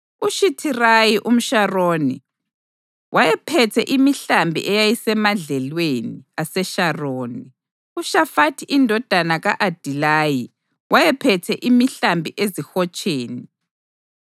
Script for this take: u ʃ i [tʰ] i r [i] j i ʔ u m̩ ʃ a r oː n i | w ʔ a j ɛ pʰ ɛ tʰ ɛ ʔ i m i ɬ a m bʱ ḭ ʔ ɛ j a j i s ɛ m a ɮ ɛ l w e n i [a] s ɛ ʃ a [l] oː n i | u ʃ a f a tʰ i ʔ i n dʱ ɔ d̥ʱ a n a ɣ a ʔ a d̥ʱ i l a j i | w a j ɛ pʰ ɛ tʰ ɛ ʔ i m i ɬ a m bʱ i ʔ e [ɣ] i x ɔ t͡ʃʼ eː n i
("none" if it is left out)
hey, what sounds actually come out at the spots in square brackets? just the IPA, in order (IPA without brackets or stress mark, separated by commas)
tʰ, a, a, r, z